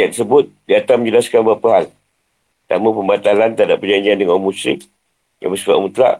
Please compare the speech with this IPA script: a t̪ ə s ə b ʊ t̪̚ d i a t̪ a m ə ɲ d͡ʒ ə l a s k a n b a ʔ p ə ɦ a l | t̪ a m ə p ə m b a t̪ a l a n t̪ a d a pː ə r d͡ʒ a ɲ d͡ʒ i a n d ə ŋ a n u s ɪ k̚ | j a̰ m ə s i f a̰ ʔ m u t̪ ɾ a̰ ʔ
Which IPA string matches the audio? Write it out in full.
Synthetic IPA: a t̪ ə s ə b ʊ t̪̚ d i a t̪ a m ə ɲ d͡ʒ ə l a s k a n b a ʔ p ə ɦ a l | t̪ a m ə p ə m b a t̪ a l a n t̪ a d a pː ə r d͡ʒ a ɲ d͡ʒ i a n d ə ŋ a m u s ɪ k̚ | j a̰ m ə s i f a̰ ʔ m u t̪ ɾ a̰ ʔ